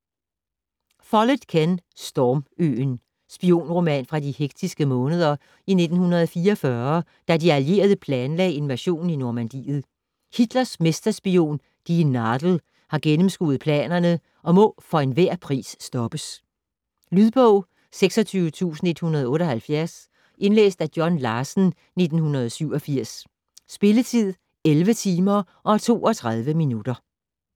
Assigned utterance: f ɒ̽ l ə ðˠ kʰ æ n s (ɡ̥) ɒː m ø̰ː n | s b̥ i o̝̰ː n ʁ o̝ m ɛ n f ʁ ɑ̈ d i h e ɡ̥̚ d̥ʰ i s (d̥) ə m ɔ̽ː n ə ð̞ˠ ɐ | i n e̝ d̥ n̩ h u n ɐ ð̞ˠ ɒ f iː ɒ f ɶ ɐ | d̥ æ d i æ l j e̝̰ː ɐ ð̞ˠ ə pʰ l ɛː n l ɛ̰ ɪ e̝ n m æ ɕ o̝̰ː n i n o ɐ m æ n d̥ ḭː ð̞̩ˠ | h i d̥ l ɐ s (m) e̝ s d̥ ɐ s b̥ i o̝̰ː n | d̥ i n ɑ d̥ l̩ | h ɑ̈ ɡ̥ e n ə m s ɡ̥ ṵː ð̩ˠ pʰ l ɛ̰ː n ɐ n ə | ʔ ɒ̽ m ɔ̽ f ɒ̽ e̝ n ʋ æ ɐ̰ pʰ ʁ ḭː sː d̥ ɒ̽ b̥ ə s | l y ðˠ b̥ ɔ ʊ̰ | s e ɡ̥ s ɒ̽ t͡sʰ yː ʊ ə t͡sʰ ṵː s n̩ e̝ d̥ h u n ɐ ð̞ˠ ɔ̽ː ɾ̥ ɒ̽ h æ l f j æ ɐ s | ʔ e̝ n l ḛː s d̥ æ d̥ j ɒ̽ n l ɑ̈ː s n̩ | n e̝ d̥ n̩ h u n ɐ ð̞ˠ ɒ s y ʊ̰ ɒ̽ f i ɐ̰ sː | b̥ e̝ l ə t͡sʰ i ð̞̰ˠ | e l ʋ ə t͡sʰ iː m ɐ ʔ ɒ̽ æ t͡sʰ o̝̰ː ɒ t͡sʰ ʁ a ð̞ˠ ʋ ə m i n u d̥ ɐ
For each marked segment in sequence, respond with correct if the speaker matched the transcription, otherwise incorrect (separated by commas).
incorrect, incorrect, correct